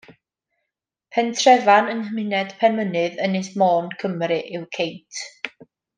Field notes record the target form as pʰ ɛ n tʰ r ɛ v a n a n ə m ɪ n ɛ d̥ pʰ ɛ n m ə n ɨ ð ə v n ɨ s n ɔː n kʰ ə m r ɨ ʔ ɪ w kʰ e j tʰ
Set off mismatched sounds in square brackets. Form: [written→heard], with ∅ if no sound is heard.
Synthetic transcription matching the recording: pʰ ɛ n tʰ r ɛ v a n [a→ə] n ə m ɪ n ɛ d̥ pʰ ɛ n m ə n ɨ ð ə [v→∅] n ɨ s [n→m] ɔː n kʰ ə m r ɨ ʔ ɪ w kʰ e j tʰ